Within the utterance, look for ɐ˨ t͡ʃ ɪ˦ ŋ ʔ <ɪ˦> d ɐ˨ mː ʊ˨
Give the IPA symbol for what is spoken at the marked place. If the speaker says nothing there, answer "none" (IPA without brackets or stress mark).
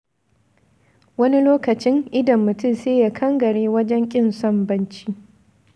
ɪ˦